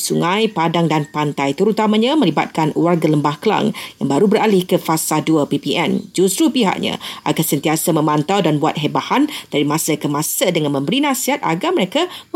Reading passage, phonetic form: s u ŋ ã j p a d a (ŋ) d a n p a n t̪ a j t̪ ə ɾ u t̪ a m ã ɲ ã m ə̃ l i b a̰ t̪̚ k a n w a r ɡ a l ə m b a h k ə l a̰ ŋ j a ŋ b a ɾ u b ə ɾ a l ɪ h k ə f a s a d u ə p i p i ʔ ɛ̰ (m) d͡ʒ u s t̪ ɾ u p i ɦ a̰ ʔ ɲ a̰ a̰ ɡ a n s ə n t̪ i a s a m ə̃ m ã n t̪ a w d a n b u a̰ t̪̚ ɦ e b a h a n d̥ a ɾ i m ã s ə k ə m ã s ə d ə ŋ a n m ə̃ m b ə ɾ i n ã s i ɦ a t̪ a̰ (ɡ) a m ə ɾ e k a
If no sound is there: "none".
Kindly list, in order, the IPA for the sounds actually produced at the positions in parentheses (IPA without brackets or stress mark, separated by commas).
ŋ, n, ɡ